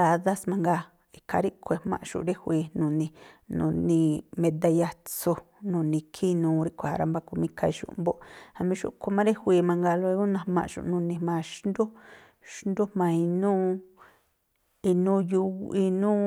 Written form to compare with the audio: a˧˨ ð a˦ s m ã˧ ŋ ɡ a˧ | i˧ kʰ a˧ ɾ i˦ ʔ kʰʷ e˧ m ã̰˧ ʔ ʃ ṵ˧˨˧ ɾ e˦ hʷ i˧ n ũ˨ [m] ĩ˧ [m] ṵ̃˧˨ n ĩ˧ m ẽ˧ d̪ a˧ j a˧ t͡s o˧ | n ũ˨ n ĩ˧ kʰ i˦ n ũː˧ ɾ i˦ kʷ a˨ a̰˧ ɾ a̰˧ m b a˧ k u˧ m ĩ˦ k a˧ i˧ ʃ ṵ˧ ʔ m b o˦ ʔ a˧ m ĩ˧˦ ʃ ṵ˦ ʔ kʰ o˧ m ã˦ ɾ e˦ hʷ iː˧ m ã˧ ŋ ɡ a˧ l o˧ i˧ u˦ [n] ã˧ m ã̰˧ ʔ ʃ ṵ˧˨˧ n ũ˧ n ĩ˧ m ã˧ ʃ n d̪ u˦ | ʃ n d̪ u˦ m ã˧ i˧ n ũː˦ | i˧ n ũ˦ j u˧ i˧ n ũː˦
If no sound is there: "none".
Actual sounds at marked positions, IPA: n, n, n

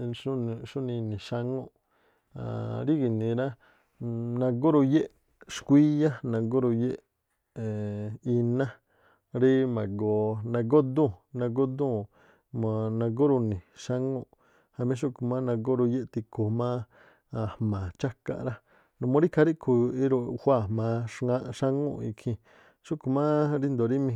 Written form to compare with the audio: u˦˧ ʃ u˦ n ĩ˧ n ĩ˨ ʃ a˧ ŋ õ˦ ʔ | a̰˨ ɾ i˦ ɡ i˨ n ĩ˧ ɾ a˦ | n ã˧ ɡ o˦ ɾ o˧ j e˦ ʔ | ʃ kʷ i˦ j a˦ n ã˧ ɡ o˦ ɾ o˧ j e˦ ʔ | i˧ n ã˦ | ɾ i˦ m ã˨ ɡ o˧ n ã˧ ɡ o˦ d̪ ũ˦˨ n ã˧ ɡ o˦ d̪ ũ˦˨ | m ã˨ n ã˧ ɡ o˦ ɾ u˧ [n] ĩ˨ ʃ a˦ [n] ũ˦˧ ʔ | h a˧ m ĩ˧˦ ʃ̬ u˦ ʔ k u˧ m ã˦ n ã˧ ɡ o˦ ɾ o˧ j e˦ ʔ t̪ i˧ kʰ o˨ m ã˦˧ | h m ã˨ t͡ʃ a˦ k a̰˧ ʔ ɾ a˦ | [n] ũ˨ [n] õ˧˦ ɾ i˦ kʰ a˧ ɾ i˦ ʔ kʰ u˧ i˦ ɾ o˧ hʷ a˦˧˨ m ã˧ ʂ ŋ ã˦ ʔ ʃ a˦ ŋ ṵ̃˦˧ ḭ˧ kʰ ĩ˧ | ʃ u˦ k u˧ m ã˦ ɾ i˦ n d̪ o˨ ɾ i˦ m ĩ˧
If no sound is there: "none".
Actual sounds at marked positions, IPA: n, ŋ, n, m

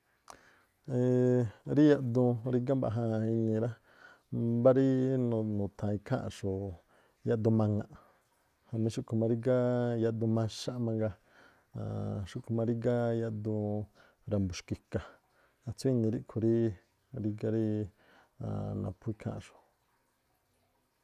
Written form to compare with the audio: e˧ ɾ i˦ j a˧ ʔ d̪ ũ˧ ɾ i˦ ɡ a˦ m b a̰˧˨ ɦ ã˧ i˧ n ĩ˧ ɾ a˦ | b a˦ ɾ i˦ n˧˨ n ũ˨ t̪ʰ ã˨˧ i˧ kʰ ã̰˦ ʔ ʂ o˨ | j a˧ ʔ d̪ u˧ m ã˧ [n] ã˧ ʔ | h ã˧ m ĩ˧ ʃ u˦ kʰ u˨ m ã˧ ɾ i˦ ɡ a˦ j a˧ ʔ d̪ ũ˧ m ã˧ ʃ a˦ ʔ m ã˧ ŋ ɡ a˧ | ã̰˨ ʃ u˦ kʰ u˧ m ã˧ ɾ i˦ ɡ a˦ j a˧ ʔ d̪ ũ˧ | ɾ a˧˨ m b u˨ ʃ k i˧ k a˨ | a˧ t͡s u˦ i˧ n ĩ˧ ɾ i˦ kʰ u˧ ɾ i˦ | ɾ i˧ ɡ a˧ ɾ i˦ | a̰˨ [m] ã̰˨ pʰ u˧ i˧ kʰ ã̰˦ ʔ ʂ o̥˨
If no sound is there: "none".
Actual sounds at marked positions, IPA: ŋ, n

